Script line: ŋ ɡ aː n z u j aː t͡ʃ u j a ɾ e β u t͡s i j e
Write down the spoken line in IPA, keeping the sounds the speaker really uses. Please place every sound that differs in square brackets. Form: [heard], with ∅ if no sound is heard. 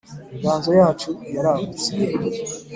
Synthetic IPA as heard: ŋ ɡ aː n z [o] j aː t͡ʃ u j a ɾ [a] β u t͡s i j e

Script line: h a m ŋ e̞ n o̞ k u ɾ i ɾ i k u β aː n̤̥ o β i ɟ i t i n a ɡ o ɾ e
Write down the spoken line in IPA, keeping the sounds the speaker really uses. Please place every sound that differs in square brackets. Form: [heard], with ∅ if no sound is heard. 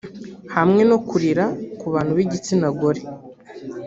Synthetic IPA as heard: h a m ŋ e̞ n o̞ k u ɾ i ɾ [a] k u β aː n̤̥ [u] β i ɟ i [t͡s] i n a ɡ o ɾ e

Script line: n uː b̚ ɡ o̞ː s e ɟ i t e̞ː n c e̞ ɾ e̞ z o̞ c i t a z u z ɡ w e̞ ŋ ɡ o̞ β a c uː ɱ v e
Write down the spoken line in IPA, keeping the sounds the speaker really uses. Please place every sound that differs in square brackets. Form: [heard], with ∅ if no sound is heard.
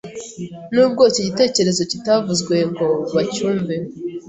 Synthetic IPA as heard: n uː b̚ ɡ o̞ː s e ɟ i t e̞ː [∅] c e̞ ɾ e̞ z o̞ c i t a [v] u z ɡ w e̞ ŋ ɡ o̞ β a c uː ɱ v e

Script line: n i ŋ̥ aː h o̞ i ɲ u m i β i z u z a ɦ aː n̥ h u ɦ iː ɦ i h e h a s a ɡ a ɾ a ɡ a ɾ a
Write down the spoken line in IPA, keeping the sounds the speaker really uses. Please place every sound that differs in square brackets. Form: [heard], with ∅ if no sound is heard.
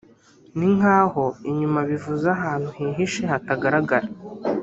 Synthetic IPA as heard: n i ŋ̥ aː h o̞ i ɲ u m [a] β i [v] u z a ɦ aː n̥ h u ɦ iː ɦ i [ʃ] e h a [t] a ɡ a ɾ a ɡ a ɾ a

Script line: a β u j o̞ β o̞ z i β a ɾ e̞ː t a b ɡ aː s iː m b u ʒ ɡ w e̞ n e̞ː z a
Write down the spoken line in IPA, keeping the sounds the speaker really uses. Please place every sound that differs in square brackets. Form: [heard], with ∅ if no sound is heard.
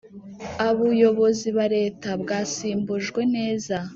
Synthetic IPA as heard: a β u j o̞ β o̞ z i β a ɾ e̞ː t a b ɡ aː s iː m b u ʒ ɡ w e̞ n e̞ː z a

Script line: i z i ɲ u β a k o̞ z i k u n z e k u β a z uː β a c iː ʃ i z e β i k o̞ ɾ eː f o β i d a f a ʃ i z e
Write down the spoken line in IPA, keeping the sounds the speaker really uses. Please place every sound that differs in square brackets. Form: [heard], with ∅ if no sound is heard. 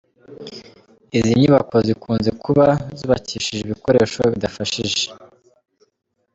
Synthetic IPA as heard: i z i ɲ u β a k o̞ z i k [uː] n z e k u β a z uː β a c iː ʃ i [ʒ] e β i k o̞ ɾ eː [ʃ] o β i d a f a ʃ i [ʒ] e

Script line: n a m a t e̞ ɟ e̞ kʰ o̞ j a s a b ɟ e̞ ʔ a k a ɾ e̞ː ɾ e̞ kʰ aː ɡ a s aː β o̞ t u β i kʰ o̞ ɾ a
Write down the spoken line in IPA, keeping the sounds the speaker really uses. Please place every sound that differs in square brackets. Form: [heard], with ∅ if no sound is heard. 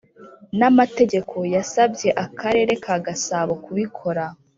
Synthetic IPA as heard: n a m a t e̞ ɟ e̞ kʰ o̞ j a s a b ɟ e̞ ʔ a k a ɾ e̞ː ɾ e̞ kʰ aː ɡ a s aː β o̞ [k] u β i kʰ o̞ ɾ a

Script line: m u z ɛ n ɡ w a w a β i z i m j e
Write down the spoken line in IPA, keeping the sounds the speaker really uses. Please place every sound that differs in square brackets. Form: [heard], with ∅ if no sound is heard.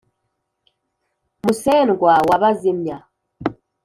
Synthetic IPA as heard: m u [s] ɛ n ɡ w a w a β [a] z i m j [a]

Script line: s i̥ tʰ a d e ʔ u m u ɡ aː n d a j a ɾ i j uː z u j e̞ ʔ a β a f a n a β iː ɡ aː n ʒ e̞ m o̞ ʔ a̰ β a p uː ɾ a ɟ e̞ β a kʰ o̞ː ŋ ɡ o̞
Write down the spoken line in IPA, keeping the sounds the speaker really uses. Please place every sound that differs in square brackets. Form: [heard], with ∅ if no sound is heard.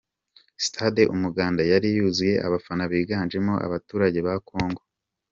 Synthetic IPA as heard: s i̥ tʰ a d e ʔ u m u ɡ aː n d a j a ɾ i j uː z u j e̞ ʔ a β a f a n a β iː ɡ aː n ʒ e̞ m o̞ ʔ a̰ β a [t] uː ɾ a ɟ e̞ β a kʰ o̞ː ŋ ɡ o̞

